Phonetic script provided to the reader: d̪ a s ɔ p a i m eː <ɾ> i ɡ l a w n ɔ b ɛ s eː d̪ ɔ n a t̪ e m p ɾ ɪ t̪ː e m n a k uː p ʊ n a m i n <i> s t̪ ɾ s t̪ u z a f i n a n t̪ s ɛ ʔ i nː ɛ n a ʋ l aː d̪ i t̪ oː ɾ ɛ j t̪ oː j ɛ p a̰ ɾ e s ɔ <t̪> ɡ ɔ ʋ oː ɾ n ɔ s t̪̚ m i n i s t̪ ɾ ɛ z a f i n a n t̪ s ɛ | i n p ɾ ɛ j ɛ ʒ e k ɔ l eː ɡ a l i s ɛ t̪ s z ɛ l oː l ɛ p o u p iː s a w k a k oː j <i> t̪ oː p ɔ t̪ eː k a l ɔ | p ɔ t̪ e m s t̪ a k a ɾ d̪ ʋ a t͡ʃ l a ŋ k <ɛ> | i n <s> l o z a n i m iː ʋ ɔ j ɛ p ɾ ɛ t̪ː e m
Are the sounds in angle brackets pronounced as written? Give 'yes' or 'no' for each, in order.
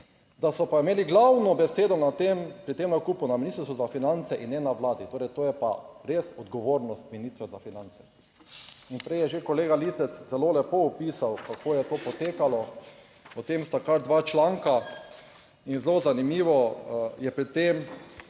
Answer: no, yes, no, no, no, no

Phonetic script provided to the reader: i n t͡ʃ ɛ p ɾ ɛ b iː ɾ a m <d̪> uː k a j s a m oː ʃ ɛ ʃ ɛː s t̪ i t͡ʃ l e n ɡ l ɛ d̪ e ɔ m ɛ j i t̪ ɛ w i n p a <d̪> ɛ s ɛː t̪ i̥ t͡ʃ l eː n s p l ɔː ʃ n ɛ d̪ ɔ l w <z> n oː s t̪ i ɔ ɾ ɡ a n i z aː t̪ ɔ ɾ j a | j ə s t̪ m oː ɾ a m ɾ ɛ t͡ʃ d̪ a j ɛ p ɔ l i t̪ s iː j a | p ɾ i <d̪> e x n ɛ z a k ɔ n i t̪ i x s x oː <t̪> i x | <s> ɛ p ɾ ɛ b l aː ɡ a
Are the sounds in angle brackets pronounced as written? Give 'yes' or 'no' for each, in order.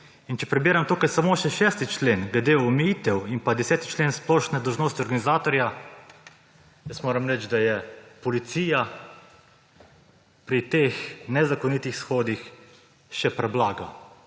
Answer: no, yes, no, no, no, no

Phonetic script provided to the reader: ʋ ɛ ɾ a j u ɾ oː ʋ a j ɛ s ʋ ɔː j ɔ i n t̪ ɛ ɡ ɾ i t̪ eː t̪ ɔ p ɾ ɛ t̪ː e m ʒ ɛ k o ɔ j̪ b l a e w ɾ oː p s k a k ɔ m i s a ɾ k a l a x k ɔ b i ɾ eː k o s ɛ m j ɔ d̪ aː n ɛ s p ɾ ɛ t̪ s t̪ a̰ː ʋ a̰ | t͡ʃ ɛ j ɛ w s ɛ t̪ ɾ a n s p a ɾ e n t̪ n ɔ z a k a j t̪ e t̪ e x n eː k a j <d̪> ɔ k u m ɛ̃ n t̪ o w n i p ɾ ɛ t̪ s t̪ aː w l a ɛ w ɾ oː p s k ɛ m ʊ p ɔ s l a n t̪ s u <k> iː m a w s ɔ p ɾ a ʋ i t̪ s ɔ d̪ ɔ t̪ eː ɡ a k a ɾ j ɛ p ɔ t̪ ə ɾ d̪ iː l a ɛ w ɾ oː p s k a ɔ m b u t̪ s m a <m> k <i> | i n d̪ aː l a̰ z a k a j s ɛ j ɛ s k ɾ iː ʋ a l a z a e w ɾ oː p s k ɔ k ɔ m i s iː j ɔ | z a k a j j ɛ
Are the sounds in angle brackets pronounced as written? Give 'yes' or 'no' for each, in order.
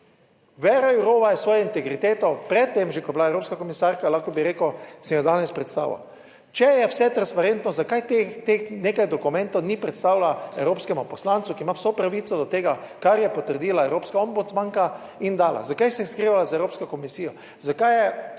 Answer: yes, yes, no, no

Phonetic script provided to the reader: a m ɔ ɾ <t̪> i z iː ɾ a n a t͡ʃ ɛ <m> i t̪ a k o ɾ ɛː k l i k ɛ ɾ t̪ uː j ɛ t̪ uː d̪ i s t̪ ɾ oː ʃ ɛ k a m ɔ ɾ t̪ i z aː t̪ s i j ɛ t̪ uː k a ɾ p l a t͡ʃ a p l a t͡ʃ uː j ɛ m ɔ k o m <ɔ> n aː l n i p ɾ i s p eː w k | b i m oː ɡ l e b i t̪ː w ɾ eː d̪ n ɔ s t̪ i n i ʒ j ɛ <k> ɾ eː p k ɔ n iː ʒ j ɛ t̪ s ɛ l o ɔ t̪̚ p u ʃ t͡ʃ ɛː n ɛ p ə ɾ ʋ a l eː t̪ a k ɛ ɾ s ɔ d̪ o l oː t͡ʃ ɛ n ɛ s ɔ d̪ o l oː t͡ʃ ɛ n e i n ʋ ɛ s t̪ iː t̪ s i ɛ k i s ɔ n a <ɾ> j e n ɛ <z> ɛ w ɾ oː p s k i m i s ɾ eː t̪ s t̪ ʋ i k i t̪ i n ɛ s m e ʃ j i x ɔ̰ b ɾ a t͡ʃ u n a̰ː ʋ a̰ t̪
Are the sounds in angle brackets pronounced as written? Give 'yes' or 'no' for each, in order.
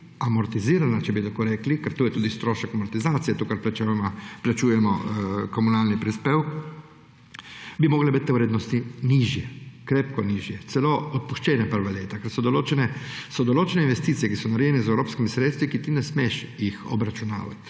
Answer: yes, no, no, yes, yes, yes

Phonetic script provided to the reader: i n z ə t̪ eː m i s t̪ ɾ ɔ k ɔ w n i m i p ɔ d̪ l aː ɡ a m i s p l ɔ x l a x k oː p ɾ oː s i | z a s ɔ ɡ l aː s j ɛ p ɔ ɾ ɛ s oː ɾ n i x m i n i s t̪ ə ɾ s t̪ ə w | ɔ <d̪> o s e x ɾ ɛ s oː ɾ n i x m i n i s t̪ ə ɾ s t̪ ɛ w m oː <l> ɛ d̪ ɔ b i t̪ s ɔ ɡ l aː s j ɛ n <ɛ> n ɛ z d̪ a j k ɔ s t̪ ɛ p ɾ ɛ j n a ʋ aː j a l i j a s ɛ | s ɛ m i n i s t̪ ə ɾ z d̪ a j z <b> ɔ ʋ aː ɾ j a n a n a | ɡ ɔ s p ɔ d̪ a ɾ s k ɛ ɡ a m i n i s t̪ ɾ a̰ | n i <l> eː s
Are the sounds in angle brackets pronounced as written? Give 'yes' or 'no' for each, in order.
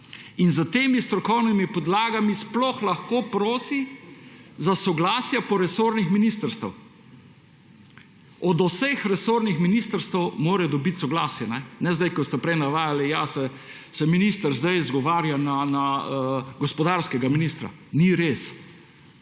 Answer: yes, no, yes, no, no

